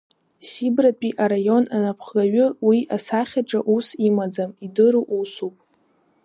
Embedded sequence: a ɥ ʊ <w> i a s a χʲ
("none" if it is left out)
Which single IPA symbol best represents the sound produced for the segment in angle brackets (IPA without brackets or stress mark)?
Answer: w